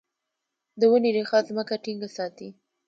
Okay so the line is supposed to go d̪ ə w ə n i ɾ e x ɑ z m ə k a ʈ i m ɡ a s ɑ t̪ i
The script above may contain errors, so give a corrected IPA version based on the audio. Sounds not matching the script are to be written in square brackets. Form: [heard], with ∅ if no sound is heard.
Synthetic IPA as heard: d̪ ə w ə n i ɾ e x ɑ z m ə k a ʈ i [ŋ] ɡ a s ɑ t̪ i